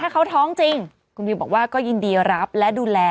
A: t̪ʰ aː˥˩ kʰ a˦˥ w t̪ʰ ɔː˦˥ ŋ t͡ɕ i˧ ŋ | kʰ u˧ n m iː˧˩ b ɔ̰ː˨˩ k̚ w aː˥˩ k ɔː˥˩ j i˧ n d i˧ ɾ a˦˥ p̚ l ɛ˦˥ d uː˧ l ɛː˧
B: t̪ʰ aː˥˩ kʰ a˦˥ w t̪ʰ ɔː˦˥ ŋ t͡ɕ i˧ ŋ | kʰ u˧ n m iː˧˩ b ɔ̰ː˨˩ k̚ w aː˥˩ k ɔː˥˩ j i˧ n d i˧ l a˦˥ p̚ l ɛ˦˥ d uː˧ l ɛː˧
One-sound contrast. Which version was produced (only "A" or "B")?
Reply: A